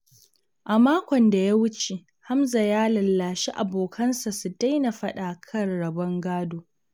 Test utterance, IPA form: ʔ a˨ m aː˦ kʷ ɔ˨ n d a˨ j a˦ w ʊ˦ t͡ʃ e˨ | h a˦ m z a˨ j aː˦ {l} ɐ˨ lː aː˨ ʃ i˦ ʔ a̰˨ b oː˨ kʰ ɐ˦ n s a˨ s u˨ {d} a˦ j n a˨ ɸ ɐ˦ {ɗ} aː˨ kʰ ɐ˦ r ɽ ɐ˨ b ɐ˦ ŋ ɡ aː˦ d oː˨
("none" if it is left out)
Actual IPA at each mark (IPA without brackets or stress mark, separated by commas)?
l, d, ɗ